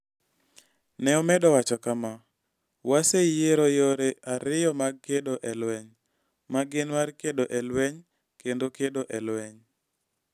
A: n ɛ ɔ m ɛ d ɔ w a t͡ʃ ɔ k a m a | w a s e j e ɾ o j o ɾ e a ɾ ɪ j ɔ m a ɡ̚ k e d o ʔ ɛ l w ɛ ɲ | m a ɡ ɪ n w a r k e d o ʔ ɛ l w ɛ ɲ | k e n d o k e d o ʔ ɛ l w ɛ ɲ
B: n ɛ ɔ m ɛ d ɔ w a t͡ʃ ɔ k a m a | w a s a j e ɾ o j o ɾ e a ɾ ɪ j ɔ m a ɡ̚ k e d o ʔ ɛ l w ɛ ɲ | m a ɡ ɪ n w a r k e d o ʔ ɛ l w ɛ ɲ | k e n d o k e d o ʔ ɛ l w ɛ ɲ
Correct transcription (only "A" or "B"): A